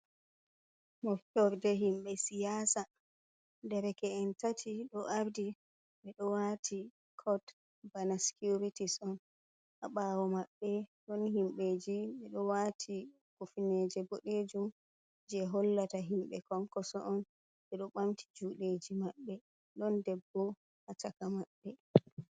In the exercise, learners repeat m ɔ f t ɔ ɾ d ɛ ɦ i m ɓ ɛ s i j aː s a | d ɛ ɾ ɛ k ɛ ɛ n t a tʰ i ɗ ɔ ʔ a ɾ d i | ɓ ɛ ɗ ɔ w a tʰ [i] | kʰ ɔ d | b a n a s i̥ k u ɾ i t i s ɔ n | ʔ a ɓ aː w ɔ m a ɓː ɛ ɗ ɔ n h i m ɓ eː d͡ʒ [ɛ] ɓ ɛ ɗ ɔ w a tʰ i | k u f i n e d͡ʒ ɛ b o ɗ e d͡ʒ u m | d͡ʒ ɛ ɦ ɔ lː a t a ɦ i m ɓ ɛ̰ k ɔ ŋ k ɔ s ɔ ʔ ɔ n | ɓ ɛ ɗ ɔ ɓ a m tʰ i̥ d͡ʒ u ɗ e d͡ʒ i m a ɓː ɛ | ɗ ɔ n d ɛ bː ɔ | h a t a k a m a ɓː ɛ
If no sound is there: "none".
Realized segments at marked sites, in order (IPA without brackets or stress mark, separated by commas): i, i